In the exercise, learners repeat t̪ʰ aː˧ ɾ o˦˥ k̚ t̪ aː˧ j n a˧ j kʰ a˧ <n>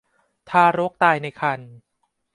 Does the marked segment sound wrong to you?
no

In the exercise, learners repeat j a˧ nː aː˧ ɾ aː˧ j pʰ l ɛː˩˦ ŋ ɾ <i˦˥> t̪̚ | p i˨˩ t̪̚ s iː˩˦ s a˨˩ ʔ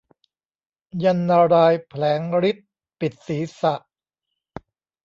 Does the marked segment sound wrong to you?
no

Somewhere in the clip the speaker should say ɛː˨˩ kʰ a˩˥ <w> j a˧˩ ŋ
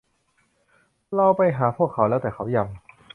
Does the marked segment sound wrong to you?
no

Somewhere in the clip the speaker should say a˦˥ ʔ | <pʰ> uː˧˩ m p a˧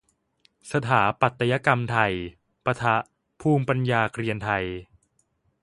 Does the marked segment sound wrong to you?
no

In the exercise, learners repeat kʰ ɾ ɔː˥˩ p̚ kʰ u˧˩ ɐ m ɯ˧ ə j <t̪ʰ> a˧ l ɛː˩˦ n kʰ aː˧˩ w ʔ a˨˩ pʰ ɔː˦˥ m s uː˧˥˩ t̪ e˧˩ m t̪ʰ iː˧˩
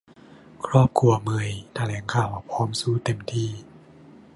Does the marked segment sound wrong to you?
no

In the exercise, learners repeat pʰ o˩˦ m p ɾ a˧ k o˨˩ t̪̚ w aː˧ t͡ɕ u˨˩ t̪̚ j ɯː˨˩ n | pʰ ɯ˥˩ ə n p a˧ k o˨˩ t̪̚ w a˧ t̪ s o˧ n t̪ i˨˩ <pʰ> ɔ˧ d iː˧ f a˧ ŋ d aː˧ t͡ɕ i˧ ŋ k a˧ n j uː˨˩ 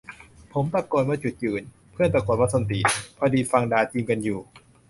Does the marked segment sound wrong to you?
no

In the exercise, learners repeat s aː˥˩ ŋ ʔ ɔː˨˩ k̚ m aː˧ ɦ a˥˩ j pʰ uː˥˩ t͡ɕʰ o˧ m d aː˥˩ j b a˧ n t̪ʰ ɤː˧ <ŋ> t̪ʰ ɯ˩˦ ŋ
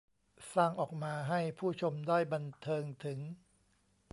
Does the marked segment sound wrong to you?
no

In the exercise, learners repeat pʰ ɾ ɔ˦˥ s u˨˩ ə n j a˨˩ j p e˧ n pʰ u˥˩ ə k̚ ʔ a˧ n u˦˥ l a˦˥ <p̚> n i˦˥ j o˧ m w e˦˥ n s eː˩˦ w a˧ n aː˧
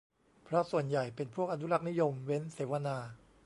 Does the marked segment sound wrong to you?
yes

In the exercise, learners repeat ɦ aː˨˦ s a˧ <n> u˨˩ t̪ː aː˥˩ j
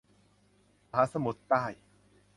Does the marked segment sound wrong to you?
yes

